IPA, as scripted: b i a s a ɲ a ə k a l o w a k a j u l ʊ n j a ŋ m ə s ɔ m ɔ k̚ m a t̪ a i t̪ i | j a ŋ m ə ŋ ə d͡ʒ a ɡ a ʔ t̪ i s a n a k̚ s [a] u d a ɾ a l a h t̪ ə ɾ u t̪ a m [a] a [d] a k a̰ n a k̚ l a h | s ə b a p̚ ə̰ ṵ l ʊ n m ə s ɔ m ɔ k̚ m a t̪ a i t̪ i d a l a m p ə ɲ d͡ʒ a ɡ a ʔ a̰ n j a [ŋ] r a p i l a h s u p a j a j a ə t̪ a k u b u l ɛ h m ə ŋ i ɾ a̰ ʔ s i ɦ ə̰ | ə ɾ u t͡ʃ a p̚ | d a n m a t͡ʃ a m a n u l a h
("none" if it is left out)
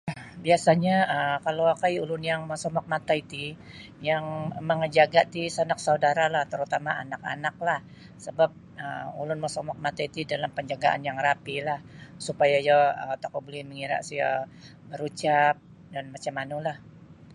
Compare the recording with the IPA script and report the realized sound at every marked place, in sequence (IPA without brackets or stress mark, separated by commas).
a, a, n, ŋ